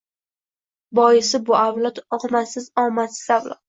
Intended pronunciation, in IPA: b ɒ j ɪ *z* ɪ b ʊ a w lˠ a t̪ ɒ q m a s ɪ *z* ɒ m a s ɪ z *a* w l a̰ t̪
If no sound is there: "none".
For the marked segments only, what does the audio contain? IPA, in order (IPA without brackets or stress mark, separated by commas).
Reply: s, z, a